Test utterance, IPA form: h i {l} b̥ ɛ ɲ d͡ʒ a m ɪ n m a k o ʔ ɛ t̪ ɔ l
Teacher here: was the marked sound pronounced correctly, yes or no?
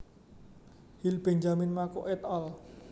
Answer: yes